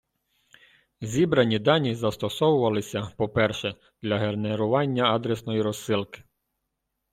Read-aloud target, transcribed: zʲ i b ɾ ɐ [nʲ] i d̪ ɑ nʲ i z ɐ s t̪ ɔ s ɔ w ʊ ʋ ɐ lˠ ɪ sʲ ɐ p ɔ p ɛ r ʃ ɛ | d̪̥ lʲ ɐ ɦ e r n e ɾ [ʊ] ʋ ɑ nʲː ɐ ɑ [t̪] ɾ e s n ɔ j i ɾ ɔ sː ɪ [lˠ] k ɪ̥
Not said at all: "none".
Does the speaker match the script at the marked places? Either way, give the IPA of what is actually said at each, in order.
nʲ, ʊ, d̪, lˠ

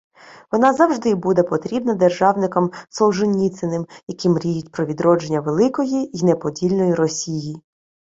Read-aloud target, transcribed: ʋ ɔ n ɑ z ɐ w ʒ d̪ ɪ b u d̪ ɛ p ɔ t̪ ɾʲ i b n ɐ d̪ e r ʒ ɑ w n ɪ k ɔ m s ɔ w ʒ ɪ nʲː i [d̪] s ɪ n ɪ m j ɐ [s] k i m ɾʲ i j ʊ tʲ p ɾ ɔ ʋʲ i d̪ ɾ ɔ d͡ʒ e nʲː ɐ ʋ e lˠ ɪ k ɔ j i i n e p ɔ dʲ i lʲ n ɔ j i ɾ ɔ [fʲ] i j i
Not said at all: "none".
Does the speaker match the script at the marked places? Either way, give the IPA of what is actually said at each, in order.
t̪, none, sʲ

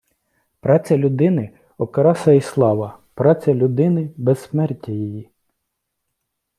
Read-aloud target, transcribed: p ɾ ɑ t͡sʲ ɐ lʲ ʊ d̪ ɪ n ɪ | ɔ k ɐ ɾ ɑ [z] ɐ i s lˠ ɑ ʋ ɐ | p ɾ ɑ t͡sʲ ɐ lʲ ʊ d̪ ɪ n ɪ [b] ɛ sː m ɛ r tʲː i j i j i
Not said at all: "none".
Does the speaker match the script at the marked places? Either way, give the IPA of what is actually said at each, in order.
s, b

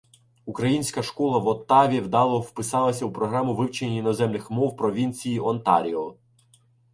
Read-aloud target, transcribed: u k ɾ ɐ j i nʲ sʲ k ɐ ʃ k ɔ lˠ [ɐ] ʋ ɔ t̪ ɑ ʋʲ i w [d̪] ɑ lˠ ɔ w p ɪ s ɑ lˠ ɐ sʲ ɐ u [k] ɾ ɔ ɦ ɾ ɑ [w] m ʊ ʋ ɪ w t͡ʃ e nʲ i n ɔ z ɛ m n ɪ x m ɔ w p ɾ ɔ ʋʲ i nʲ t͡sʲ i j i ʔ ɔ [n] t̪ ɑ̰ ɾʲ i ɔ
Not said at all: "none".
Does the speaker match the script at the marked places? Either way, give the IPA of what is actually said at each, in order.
ɐ, d̪, p, none, n

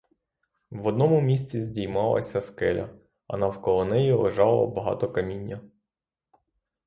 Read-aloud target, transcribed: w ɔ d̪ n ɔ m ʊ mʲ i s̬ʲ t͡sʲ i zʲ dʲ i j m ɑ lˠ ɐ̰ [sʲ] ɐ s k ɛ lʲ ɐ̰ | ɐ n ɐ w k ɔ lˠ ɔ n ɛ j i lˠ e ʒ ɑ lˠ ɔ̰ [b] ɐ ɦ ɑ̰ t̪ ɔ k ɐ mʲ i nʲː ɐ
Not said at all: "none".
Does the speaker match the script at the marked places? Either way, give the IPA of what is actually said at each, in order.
sʲ, b

